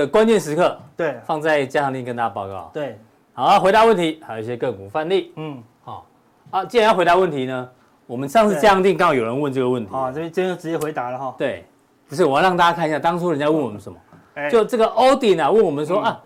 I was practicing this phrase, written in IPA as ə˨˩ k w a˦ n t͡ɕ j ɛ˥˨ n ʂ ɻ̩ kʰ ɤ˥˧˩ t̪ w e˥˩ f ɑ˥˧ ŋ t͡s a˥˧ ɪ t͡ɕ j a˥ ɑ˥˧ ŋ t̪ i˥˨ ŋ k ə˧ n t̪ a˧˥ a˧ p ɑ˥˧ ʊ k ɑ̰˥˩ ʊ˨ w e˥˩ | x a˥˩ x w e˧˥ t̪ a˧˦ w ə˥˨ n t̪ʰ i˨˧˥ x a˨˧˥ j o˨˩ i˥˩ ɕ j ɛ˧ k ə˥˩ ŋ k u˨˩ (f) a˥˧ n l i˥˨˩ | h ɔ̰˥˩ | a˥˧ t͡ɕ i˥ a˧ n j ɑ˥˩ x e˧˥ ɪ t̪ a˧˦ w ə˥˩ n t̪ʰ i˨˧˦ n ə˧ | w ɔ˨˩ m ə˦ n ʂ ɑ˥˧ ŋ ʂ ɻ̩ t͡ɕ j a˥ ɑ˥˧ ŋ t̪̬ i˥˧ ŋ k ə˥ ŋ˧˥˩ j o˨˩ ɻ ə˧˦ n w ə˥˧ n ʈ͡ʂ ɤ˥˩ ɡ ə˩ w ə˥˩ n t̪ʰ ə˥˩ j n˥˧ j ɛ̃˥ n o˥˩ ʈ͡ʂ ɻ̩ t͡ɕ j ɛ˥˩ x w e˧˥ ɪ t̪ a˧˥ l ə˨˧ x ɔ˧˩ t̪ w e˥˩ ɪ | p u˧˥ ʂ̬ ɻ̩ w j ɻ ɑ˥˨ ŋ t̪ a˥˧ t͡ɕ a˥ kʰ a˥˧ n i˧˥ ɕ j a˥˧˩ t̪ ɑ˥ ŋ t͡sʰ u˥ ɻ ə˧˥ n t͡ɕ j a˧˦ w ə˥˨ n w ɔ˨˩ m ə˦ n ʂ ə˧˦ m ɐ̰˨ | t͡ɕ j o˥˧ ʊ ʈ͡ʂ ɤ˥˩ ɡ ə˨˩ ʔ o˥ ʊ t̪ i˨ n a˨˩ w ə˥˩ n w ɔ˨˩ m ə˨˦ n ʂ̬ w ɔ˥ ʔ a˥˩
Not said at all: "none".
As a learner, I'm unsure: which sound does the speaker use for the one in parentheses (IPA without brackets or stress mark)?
f